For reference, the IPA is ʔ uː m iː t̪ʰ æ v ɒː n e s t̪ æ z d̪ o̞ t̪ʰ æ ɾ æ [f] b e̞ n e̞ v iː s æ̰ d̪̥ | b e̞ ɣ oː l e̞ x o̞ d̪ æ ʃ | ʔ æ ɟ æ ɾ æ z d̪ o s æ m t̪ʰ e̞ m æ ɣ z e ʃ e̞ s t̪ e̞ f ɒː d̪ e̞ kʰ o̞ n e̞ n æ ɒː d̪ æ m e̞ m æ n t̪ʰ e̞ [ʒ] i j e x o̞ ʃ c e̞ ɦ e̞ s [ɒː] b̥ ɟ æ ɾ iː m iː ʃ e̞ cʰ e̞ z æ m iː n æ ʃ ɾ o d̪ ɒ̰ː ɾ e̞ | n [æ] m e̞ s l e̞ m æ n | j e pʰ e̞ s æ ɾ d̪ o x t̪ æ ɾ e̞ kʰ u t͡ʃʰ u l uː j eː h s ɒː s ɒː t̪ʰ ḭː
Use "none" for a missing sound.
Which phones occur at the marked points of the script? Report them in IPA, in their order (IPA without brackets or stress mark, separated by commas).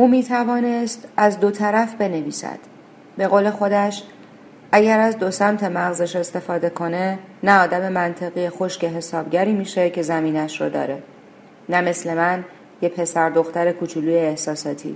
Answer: f, ɣ, ɒː, æ